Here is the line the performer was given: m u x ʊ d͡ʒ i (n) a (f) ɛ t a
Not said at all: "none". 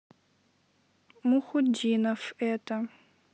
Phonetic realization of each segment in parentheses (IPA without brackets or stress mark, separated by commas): n, f